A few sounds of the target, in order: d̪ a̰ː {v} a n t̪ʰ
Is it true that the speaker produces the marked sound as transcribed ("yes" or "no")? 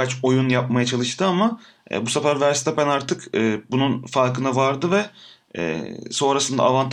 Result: yes